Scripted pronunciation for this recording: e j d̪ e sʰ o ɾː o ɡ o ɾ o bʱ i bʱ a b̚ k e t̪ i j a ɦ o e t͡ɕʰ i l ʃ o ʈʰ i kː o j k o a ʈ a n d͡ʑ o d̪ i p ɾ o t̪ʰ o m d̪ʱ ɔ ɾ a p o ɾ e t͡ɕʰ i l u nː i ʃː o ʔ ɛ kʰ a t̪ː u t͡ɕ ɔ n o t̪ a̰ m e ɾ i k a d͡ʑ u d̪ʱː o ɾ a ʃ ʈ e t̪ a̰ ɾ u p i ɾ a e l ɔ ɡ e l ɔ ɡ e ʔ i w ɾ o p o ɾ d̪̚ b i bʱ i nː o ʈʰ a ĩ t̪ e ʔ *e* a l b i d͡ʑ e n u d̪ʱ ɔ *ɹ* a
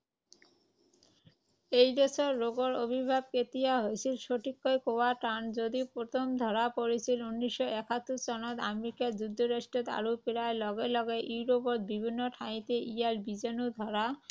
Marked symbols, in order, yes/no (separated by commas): no, no